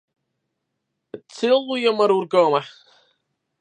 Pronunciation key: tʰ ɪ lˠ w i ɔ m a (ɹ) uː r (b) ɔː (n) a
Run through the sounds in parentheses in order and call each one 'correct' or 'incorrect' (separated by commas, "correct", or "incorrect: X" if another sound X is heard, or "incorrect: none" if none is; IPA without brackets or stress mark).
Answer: incorrect: ɾ, incorrect: ɡ, incorrect: m